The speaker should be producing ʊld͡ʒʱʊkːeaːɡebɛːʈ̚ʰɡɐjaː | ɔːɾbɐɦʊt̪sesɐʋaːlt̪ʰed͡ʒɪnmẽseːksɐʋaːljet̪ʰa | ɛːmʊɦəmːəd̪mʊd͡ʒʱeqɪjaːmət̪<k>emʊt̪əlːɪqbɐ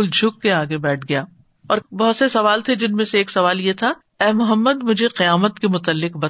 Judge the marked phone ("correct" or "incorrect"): correct